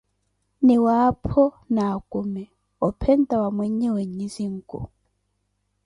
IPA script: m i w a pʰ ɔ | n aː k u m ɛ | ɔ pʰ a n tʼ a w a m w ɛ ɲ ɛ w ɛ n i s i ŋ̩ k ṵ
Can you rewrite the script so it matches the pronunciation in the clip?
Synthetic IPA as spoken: n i w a pʰ ɔ | n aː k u m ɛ | ɔ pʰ ɛ n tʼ a w a m w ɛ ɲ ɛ w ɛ ɲ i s i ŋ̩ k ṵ

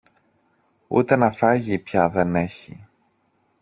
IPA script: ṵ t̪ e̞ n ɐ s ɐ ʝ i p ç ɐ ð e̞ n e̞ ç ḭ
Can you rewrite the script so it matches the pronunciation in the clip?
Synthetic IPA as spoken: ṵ t̪ e̞ n ɐ f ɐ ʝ i p ç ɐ ð e̞ n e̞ ç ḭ

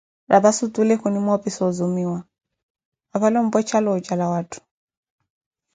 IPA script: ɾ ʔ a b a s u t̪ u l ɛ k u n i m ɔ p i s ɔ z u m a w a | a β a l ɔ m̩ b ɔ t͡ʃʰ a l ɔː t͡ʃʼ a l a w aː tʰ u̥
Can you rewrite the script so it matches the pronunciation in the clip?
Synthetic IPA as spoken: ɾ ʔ a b a s u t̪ u l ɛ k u n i m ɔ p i s ɔ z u m i w a | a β a l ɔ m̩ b ɔ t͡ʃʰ a l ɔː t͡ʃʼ a l a w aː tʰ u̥

